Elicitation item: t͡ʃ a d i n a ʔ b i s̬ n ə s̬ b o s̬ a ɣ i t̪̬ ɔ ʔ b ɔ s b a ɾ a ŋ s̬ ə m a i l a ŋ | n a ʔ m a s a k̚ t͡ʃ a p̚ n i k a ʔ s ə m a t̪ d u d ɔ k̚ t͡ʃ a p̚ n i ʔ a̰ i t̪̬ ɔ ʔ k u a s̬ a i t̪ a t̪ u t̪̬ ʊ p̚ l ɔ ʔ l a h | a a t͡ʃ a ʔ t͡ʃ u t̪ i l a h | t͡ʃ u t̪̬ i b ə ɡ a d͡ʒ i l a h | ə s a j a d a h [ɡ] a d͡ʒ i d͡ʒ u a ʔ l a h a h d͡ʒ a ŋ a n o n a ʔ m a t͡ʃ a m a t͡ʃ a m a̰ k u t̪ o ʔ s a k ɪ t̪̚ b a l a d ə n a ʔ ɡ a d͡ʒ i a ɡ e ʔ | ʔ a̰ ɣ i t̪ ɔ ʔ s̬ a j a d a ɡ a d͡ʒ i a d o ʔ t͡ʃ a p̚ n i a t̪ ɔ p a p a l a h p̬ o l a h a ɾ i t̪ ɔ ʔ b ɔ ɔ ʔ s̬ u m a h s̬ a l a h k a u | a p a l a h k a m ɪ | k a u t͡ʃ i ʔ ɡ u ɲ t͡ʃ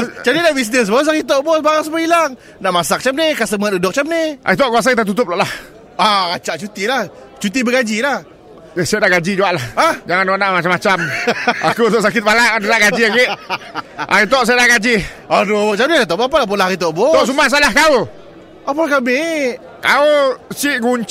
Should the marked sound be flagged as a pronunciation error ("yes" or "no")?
no